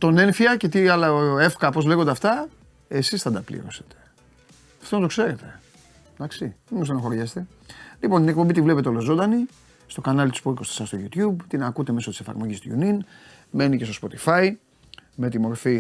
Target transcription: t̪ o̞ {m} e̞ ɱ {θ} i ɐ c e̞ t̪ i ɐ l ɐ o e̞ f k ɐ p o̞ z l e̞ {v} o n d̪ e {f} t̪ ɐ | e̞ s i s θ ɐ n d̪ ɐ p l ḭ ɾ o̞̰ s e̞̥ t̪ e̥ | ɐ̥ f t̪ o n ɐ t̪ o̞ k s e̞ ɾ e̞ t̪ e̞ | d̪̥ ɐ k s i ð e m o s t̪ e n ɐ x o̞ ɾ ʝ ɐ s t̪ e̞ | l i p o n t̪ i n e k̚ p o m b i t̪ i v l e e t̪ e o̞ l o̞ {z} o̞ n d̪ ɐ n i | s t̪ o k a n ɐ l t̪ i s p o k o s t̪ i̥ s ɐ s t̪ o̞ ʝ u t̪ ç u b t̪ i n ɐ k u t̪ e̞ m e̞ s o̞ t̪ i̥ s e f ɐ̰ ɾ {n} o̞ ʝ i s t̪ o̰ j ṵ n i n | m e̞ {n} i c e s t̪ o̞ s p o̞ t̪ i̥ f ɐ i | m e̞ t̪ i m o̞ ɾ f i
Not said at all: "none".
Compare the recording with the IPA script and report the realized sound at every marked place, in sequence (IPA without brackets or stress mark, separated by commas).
n, f, ɣ, f, z, m, n